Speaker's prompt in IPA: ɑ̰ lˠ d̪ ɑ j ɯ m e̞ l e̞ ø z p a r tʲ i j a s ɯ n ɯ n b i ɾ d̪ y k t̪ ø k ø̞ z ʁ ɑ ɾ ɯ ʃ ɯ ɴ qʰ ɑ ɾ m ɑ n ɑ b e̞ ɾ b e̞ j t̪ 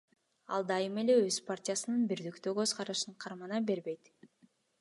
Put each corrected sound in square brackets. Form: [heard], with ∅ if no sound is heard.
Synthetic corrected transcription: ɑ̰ lˠ d̪ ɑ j ɯ m e̞ l e̞ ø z p a r tʲ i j a s ɯ n ɯ n b i ɾ d̪ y k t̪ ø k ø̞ z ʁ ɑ ɾ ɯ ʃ ɯ ɴ qʰ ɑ ɾ m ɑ n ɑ b e̞ ɾ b e̞ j t̪